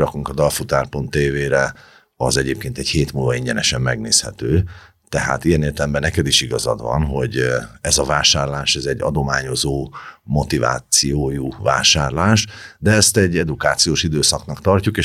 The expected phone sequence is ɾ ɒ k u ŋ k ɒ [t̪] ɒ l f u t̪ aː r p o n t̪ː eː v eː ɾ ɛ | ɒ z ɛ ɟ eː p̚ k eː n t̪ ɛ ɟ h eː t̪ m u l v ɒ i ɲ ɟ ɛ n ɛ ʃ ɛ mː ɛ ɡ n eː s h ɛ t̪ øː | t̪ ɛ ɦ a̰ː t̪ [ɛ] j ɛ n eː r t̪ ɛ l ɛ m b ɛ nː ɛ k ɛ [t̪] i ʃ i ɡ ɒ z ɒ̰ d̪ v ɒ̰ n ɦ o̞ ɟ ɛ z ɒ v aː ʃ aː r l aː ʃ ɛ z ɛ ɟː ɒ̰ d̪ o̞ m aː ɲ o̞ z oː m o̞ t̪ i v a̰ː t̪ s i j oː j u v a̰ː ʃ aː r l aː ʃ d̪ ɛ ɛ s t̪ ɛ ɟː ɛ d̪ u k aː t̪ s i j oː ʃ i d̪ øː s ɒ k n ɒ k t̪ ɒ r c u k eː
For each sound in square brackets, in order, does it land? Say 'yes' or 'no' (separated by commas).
no, no, no